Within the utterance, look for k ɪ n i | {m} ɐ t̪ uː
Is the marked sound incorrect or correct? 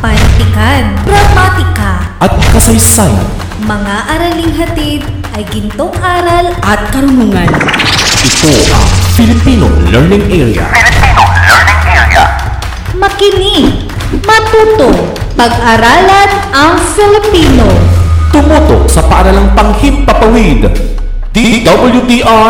correct